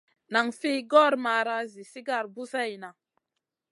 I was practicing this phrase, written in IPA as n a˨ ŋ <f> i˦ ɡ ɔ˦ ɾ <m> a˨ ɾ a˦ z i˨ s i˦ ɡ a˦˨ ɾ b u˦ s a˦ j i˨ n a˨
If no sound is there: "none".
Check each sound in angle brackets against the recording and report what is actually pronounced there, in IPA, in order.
f, m

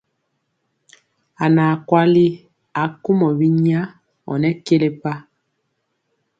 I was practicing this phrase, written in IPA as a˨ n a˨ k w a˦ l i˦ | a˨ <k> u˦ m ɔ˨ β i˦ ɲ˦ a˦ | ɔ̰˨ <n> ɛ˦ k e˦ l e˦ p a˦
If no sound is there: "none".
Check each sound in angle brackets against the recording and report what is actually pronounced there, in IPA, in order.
k, n

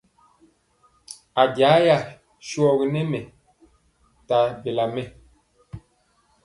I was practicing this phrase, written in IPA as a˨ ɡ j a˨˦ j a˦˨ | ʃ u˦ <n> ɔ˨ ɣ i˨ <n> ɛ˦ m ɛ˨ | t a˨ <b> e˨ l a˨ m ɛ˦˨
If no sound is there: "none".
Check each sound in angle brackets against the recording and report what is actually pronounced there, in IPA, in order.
none, n, b

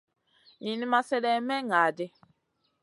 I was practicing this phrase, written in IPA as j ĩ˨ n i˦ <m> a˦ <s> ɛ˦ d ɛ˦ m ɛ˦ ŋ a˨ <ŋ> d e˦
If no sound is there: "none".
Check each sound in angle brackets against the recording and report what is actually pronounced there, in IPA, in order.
m, s, none

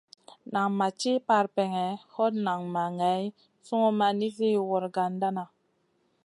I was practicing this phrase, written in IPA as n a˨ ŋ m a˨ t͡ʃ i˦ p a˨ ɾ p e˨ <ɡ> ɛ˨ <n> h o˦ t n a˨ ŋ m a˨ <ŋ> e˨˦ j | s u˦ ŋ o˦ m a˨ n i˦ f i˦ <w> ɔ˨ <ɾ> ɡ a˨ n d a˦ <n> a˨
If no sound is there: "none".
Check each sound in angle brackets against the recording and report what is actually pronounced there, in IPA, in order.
ŋ, none, ŋ, w, ɾ, n

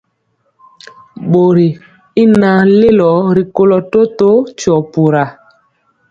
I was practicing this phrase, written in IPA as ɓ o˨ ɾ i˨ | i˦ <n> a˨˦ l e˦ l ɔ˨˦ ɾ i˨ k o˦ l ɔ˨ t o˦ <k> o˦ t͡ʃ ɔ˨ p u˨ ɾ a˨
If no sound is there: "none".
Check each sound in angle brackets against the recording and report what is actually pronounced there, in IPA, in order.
n, t

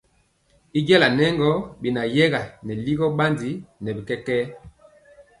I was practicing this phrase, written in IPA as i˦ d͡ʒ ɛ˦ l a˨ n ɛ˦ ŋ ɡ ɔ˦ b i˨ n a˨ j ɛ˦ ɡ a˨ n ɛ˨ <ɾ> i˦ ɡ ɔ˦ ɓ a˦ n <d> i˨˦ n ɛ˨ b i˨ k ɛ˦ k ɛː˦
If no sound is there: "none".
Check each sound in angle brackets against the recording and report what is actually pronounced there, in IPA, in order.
l, d

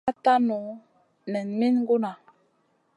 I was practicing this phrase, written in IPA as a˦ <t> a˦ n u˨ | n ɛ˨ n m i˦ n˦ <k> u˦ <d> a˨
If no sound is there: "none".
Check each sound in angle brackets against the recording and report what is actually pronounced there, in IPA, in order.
t, ɡ, n

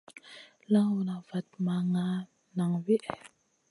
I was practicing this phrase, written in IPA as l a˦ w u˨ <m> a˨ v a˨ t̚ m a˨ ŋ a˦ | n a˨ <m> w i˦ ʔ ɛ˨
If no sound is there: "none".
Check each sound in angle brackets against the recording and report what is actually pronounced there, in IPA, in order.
n, ŋ

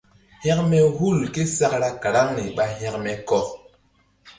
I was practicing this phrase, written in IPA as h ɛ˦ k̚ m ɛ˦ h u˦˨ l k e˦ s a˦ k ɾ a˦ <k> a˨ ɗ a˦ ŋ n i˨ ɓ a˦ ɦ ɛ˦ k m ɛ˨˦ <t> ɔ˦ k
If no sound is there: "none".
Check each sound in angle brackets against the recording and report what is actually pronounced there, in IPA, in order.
k, k

